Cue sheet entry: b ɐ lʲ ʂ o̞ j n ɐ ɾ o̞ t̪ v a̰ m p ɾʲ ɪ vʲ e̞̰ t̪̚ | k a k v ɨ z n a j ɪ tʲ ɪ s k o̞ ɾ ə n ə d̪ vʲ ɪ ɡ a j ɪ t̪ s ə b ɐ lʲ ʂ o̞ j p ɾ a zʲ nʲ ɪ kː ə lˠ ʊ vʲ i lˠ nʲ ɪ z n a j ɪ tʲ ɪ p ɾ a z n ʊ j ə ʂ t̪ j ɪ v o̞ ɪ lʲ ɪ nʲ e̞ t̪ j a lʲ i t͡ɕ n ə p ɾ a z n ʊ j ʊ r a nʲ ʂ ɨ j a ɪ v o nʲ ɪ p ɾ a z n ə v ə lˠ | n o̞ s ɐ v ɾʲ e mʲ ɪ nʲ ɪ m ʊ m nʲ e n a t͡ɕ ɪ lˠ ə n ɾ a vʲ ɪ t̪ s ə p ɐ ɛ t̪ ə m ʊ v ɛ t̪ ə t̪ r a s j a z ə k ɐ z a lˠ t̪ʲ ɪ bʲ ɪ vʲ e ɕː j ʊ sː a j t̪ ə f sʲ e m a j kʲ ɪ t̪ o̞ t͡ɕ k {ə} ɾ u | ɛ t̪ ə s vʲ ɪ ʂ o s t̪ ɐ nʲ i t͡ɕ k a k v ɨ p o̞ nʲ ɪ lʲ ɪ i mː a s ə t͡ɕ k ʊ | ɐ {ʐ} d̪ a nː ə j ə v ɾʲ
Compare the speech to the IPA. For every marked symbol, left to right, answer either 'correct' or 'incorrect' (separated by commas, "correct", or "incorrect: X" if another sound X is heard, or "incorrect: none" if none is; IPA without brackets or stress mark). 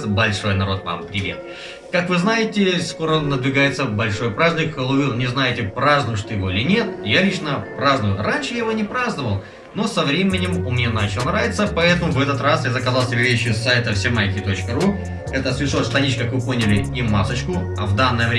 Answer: correct, incorrect: v